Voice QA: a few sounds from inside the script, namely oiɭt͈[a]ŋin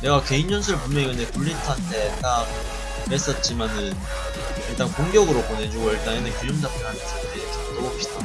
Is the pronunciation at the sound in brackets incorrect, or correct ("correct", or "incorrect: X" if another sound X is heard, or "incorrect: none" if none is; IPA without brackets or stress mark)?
correct